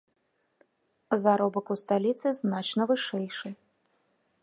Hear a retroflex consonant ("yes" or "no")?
yes